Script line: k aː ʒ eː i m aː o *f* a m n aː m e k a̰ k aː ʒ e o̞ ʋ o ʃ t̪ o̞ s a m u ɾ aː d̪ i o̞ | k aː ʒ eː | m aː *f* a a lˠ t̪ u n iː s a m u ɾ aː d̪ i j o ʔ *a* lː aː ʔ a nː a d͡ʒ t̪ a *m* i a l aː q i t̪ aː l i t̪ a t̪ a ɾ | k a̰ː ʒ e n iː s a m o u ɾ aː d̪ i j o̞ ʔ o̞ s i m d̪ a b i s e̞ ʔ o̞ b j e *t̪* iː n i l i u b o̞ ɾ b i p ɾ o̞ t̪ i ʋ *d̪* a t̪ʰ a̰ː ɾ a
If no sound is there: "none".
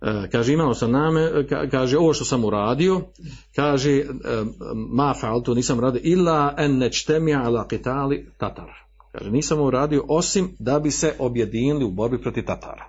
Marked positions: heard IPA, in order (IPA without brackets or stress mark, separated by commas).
s, f, i, m, d̪, t̪